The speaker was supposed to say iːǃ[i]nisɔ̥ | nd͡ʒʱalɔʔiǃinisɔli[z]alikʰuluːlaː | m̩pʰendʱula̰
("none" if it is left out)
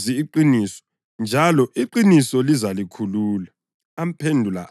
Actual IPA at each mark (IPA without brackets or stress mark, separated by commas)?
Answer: i, z